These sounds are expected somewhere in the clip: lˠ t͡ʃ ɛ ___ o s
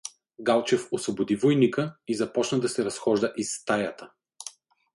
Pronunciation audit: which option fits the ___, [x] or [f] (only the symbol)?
f